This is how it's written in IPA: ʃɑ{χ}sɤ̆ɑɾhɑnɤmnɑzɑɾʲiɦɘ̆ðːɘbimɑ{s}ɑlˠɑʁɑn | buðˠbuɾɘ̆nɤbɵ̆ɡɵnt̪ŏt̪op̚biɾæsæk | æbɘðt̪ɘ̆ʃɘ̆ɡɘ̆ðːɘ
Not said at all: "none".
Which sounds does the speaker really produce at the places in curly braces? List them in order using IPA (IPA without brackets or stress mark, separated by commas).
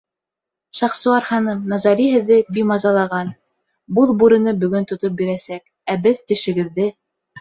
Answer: χ, z